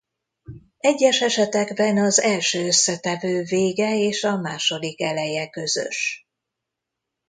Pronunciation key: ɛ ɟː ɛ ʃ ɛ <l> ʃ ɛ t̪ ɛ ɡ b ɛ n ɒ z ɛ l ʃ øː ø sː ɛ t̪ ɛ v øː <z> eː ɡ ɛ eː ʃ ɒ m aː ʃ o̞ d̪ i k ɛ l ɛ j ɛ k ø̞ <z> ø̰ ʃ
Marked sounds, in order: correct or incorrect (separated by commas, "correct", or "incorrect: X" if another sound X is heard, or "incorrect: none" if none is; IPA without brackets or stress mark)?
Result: incorrect: none, incorrect: v, correct